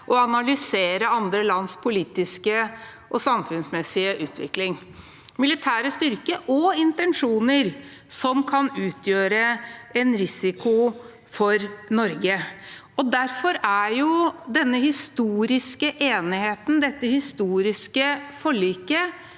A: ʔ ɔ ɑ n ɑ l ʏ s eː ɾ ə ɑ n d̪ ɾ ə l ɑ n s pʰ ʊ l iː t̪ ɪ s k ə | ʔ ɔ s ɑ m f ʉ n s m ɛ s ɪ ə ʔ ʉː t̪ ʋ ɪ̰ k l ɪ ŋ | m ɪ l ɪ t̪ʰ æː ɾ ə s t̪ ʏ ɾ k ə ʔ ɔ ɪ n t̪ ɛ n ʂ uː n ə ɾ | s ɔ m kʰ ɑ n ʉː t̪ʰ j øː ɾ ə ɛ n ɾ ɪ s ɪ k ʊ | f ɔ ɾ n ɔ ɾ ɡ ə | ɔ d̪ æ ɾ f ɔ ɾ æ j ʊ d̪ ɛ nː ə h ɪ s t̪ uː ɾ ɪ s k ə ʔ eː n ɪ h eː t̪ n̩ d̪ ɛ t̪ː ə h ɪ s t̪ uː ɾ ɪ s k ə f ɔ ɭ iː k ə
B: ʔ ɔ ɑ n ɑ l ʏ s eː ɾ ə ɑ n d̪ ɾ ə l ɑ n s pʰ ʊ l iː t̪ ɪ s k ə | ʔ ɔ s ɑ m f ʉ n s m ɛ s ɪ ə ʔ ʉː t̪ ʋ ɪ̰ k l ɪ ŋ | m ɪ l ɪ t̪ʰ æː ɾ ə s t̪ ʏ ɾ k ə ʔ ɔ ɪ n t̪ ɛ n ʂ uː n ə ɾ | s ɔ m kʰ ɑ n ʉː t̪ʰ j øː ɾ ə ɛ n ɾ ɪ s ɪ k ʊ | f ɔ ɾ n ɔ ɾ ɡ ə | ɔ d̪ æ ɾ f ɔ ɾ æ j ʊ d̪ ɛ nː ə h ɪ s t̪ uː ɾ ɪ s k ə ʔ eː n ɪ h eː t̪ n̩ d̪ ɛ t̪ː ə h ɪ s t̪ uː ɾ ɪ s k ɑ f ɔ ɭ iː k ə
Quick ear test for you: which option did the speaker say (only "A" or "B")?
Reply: A